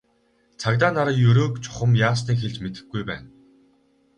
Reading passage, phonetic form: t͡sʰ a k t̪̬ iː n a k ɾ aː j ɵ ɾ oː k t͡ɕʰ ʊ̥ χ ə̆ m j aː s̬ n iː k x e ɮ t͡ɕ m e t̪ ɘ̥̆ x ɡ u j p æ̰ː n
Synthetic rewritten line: t͡sʰ a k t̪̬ aː n a ɾ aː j ɵ ɾ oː k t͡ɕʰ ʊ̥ χ ə̆ m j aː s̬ n iː k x e ɮ t͡ɕ m e t̪ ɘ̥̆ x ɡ u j p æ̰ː n